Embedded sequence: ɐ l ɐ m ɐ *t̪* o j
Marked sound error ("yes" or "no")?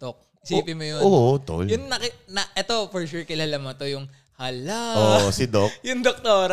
no